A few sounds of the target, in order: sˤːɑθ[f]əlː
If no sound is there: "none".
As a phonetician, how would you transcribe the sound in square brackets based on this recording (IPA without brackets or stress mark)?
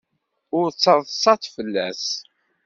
f